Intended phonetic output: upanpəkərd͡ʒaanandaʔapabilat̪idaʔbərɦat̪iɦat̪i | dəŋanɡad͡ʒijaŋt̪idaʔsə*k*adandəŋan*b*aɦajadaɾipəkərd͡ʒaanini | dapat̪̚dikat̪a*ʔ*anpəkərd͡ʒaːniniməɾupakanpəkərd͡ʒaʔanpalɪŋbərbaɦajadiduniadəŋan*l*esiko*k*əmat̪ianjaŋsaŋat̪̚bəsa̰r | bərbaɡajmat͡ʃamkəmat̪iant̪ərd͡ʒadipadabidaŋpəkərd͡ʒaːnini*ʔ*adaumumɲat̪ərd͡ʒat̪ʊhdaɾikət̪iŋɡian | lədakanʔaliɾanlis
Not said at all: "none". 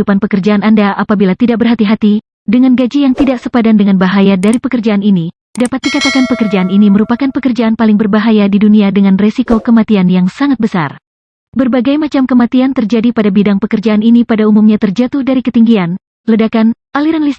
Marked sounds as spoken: p, b, k, r, k, p

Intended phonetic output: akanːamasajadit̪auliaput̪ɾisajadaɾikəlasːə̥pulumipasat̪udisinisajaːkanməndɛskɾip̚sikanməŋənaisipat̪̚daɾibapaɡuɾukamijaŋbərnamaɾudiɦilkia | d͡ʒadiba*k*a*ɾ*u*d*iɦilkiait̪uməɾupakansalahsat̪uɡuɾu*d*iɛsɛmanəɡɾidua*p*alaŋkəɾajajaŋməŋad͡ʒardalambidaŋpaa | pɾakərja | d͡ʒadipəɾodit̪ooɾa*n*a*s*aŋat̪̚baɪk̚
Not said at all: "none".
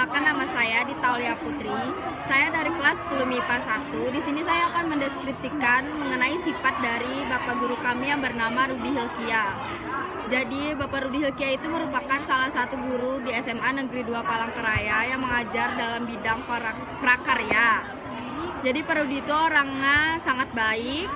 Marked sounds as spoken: p, ɾ, d, d, p, ŋ, s

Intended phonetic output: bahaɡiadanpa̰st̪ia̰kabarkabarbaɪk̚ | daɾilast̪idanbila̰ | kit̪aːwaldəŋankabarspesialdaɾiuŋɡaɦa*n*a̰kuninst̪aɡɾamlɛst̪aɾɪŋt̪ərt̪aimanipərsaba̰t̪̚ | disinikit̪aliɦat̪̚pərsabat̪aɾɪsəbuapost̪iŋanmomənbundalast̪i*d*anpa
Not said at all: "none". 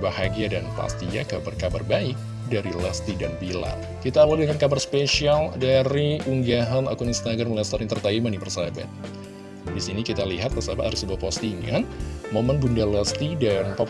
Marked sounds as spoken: n, d

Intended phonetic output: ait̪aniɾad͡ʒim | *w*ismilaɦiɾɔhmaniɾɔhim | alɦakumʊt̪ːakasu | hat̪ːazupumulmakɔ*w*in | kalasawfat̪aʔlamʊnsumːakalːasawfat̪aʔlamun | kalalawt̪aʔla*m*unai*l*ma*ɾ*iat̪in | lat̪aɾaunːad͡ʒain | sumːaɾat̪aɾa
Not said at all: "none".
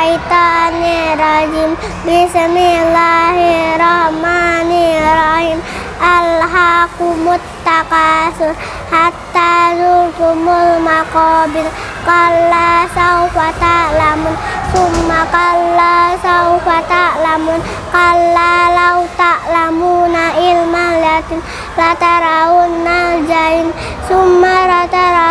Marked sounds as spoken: b, b, m, l, l

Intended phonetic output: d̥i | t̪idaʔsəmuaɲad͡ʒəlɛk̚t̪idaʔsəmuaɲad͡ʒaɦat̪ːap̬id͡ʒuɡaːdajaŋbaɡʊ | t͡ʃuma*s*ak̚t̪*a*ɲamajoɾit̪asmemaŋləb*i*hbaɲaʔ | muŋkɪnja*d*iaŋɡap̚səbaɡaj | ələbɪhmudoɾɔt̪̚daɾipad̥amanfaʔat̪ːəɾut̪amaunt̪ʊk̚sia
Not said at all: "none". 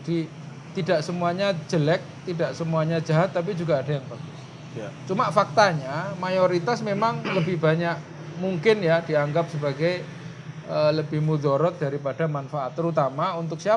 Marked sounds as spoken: f, a, ɪ, d

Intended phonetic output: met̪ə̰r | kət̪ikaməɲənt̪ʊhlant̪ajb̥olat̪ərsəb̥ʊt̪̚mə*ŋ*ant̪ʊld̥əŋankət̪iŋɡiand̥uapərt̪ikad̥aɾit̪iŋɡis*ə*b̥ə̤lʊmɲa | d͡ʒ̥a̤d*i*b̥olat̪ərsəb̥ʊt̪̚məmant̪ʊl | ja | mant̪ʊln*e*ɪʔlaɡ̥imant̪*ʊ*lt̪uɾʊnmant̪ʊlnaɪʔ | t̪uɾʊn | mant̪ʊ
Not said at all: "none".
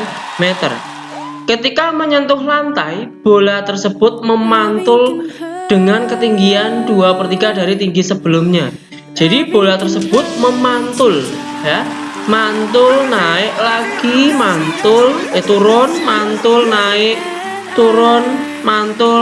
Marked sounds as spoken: m, ə, i, a, ʊ

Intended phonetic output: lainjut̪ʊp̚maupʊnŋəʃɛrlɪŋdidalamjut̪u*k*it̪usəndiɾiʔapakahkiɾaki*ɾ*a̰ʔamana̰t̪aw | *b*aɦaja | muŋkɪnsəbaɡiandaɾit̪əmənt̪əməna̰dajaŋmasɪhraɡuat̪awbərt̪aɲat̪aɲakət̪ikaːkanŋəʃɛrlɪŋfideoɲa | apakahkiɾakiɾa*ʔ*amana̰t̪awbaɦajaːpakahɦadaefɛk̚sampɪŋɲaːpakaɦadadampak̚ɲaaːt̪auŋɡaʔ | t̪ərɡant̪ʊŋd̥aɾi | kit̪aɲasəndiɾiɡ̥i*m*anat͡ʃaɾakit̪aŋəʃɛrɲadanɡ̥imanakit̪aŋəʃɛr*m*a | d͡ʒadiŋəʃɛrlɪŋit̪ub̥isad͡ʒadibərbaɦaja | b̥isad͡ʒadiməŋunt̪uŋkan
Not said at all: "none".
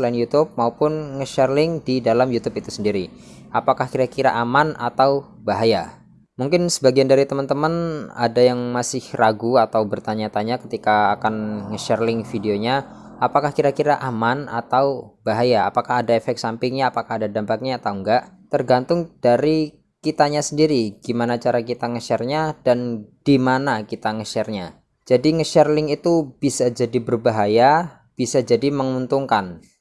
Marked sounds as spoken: p, ɾ, b, ʔ, m, ɲ

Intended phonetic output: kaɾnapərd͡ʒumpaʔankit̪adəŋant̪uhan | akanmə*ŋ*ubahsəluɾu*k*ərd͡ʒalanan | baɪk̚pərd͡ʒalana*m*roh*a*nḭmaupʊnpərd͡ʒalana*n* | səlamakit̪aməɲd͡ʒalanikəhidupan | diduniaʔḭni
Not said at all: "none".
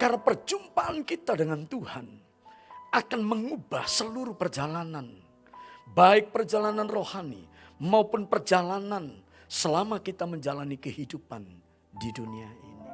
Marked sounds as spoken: ŋ, p, n, a, n

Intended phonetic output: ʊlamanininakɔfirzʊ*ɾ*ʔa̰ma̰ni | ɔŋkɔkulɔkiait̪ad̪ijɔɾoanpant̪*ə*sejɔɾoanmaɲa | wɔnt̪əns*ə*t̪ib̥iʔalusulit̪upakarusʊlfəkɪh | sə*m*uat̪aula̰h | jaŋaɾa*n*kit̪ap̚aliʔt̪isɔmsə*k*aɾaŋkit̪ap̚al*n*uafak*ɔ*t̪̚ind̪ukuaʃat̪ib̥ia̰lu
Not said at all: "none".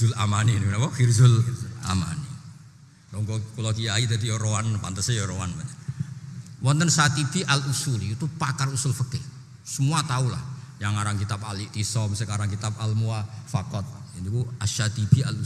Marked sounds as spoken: l, ə, a, m, ŋ, k, m, ɔ

